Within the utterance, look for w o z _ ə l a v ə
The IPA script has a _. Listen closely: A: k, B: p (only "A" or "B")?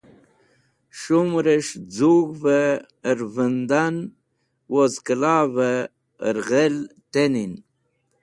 A